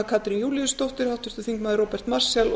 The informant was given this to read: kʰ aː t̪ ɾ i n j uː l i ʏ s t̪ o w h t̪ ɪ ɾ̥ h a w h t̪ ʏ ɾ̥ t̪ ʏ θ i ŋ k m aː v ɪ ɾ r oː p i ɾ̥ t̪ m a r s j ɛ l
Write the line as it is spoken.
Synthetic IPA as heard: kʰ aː t̪ ɾ i n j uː l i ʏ s t̪ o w h t̪ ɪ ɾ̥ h a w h t̪ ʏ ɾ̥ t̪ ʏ θ i ŋ k m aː ð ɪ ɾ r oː p ɛ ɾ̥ t̪ m a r s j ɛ l